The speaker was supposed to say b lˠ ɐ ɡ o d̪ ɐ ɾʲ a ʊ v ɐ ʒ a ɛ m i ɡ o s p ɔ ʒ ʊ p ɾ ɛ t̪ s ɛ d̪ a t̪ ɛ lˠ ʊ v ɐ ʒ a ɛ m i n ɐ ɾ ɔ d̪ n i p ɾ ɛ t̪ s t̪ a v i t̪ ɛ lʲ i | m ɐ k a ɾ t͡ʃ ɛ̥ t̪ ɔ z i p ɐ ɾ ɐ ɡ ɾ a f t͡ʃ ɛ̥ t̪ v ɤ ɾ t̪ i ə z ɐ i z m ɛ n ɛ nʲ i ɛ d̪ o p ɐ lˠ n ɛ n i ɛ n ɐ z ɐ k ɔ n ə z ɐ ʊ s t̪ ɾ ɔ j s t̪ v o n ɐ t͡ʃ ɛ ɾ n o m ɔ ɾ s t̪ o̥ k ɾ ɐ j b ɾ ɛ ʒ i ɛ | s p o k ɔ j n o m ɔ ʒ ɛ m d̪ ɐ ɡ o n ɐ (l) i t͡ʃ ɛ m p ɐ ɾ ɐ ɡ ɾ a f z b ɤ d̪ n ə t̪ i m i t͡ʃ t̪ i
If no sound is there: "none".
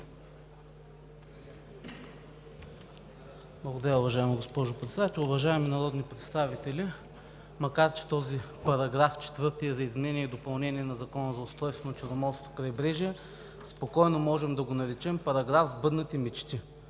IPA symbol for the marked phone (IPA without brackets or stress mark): ɾ